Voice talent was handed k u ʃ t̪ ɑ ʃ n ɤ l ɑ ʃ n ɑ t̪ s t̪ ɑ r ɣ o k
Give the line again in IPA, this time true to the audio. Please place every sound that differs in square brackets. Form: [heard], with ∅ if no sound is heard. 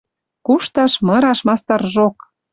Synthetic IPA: k u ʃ t̪ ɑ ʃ [m] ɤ [ɾ] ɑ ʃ [m] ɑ [∅] s t̪ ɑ r [ʒ] o k